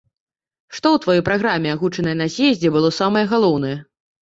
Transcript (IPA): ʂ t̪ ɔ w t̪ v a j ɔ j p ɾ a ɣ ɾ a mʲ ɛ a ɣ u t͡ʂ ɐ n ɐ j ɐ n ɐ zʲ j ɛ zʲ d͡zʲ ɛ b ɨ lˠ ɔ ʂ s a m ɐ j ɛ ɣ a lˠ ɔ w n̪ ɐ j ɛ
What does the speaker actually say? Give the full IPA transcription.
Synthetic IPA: ʂ t̪ ɔ w t̪ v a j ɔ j p ɾ a ɣ ɾ a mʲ ɛ a ɣ u t͡ʂ ɐ n ɐ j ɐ n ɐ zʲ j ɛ zʲ d͡zʲ ɛ b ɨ lˠ ɔ s a m ɐ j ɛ ɣ a lˠ ɔ w n̪ ɐ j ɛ